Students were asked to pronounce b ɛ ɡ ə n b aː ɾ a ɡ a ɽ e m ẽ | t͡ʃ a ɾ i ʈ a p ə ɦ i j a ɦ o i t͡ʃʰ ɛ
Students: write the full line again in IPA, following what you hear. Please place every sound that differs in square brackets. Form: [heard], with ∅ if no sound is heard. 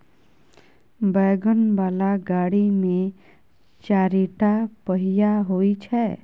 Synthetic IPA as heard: b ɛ ɡ ə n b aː [l] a ɡ a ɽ [i] m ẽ | t͡ʃ a ɾ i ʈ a p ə ɦ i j a ɦ o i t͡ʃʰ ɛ